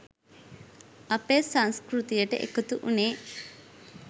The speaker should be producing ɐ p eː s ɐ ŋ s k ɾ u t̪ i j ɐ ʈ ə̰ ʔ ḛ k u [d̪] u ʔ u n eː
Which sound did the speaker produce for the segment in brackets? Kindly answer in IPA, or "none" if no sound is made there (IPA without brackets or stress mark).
t̪